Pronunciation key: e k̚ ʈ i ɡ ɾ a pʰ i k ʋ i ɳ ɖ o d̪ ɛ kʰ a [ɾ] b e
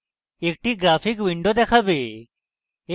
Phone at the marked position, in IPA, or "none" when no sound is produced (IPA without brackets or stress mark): none